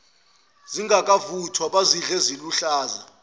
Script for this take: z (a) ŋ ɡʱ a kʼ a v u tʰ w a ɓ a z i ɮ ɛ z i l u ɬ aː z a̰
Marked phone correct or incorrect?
incorrect